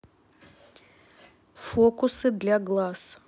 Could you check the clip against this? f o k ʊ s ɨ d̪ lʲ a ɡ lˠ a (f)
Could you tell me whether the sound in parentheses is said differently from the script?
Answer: yes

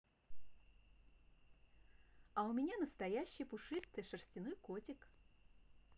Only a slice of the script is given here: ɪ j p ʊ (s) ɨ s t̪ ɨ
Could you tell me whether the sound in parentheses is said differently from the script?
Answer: yes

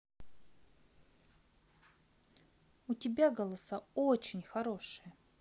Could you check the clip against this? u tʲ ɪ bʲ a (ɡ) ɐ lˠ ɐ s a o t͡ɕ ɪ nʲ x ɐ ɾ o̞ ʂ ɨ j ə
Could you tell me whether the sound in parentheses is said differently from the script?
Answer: no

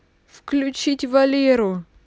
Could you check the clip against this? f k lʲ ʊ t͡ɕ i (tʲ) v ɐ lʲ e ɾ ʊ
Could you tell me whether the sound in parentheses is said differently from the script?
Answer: no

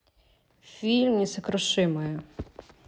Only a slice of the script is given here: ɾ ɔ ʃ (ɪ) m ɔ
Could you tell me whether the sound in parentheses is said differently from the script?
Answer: no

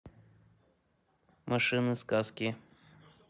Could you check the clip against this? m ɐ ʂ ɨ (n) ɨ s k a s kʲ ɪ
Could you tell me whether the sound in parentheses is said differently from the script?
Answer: no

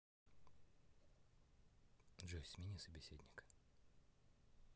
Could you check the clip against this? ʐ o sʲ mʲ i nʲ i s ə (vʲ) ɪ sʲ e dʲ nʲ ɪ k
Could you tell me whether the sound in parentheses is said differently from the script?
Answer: yes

